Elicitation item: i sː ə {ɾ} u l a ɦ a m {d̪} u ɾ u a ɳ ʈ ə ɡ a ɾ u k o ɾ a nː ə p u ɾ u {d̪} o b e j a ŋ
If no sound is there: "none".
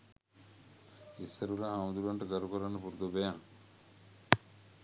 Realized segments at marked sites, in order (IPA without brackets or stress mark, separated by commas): ɾ, d̪, d̪